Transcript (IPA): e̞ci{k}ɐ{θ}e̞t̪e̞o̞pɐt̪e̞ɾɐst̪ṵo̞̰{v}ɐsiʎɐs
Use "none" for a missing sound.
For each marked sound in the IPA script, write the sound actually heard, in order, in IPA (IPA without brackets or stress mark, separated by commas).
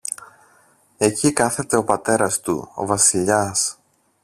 k, θ, v